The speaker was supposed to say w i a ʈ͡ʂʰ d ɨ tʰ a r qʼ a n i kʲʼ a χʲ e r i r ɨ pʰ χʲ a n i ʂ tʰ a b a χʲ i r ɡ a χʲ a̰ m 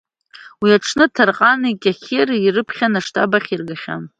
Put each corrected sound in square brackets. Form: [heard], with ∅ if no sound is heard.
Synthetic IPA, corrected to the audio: w i a ʈ͡ʂʰ [n] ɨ tʰ a r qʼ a n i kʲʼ a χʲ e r i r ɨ pʰ χʲ a n [a] ʂ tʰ a b a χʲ i r ɡ a χʲ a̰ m